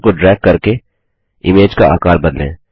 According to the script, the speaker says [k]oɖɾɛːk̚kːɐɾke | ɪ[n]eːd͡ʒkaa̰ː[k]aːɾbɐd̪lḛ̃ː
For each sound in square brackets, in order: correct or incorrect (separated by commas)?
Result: correct, incorrect, correct